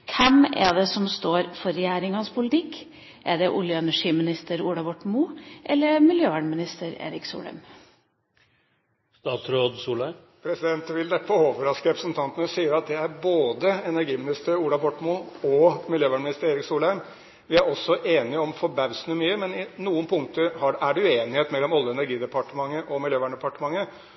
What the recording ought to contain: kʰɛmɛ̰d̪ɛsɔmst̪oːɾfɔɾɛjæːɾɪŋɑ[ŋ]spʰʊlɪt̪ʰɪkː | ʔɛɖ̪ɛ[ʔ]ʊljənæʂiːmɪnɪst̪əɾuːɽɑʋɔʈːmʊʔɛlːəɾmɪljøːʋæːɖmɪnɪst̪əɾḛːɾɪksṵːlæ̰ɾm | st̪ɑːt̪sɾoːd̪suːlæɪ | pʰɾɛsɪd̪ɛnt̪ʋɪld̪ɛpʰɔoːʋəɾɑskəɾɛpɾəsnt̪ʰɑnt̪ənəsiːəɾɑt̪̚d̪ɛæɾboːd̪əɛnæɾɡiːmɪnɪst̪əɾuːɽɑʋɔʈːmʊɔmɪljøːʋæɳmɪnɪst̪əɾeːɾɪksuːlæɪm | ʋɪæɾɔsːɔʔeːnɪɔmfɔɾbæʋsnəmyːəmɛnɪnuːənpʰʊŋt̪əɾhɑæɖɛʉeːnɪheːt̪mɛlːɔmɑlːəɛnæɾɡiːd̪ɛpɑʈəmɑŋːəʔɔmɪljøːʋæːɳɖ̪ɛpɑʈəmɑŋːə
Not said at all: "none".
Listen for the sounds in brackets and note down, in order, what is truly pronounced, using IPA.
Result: n, ʔ

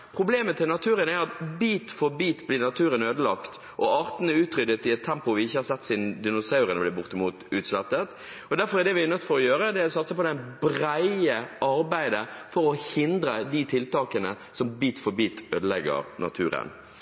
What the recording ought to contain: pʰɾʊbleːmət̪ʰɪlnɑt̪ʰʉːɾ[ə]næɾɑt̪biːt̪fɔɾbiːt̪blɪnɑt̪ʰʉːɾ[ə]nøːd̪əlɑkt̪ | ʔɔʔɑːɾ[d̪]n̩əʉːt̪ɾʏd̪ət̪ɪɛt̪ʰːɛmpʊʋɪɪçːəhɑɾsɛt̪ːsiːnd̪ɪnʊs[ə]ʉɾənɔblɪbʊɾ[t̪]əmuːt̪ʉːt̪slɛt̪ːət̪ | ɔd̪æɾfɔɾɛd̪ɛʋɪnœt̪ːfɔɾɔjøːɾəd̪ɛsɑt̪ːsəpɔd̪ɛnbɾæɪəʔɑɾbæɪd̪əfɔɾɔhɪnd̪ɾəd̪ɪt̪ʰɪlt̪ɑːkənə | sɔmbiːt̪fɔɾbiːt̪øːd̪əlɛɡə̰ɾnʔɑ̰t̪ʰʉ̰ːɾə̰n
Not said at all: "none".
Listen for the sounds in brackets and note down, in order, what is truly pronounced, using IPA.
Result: ə, ə, t̪, ɑ, t̪

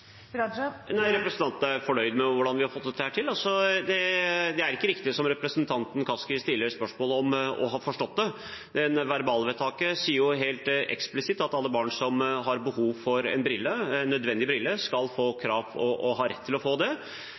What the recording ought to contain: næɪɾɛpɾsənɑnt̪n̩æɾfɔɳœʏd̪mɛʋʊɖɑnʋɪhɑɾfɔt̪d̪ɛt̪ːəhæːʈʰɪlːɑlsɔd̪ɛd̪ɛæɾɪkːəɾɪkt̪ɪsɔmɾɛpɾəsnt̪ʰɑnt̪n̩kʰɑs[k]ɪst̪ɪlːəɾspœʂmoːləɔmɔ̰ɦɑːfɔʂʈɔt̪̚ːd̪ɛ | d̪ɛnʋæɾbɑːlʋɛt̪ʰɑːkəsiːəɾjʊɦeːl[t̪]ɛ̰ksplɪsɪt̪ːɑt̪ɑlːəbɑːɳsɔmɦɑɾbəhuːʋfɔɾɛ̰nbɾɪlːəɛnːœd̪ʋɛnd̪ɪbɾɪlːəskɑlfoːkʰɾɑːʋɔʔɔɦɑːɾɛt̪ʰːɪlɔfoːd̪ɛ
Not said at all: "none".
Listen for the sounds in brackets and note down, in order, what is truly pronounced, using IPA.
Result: k, t̪

